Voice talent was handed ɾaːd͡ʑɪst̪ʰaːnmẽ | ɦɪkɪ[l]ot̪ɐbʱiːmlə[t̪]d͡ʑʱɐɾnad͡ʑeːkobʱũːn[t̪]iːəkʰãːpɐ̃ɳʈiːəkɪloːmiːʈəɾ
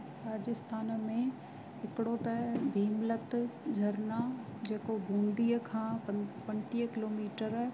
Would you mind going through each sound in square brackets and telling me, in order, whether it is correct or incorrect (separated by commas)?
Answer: incorrect, correct, incorrect